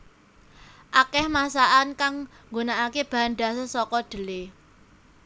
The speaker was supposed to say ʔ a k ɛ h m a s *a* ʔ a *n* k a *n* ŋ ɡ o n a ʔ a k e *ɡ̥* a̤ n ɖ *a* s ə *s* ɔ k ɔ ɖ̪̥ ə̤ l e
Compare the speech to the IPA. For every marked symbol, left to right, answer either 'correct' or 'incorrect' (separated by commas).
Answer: correct, correct, incorrect, incorrect, correct, correct